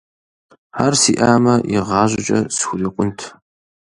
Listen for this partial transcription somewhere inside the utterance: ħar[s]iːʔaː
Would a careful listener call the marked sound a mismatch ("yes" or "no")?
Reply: no